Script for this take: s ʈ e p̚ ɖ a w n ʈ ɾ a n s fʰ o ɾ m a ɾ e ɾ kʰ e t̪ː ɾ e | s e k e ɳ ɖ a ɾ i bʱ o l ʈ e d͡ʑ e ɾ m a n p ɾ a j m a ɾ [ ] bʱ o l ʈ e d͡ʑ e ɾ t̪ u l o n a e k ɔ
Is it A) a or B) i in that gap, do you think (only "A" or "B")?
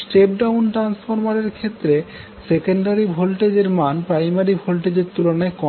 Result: B